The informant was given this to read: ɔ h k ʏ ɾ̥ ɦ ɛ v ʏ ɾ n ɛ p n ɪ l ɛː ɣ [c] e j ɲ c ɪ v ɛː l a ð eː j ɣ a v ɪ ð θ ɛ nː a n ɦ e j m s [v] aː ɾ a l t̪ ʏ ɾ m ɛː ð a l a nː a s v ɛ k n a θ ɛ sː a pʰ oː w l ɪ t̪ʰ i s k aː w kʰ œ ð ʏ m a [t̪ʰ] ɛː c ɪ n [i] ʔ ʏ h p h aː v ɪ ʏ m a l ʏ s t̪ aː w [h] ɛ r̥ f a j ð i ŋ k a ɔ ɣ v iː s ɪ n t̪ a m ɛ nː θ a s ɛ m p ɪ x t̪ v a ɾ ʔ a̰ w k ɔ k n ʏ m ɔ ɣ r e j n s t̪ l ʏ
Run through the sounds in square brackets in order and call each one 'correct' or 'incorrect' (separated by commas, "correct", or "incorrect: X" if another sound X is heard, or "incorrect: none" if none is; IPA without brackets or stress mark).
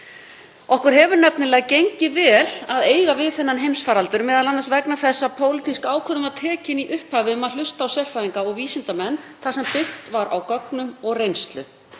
correct, incorrect: f, correct, correct, incorrect: s